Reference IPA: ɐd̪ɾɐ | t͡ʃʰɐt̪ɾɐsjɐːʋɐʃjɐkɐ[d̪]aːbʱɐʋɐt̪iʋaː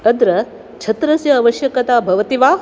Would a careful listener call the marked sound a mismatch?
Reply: yes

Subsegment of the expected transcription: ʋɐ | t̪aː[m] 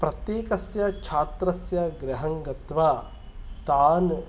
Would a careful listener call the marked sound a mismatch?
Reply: yes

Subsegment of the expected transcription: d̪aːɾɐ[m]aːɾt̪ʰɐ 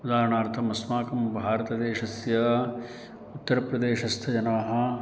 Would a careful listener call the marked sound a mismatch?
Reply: yes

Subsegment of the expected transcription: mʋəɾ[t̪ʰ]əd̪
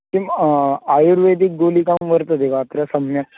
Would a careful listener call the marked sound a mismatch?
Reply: yes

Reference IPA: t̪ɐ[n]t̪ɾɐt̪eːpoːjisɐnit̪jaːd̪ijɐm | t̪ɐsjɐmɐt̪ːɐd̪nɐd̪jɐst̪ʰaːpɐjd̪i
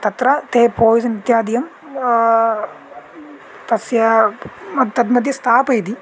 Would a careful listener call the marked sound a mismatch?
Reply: yes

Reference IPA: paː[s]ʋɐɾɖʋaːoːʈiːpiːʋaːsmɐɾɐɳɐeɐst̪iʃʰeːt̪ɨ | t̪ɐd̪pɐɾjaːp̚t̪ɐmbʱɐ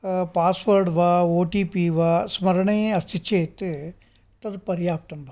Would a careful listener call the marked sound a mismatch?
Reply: no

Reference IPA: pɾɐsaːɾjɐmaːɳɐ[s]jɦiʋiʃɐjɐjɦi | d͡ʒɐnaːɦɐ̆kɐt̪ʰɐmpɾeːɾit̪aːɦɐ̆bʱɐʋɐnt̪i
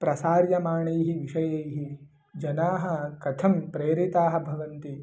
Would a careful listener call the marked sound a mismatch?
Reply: yes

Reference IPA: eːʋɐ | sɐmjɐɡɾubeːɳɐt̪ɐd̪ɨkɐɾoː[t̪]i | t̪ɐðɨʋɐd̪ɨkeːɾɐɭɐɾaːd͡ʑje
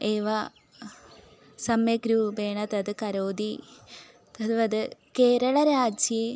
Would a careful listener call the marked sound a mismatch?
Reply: yes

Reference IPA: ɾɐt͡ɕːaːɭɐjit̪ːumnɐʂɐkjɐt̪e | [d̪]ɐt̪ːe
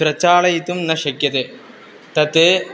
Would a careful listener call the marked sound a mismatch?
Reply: yes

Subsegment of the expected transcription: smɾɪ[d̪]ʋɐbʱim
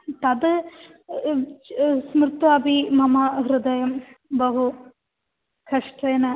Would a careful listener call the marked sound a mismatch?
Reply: yes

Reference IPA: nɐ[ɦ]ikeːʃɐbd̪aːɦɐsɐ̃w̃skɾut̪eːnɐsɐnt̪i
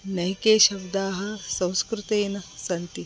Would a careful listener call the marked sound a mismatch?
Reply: no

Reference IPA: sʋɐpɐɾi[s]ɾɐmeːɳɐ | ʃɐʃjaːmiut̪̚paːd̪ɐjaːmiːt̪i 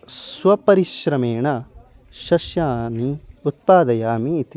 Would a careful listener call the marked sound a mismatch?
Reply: yes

